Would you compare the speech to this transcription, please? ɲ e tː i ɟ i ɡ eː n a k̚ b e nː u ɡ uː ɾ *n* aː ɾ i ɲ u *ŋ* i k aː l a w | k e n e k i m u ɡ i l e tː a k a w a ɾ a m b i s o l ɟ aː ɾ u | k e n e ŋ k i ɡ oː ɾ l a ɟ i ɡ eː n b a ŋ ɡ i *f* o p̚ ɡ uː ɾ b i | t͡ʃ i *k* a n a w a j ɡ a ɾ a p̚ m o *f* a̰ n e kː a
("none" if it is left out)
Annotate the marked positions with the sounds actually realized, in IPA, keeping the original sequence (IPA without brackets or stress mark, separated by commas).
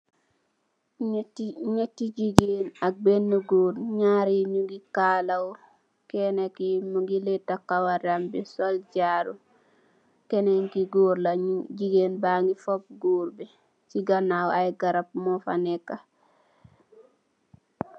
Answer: ɲ, ɡ, f, ɡ, f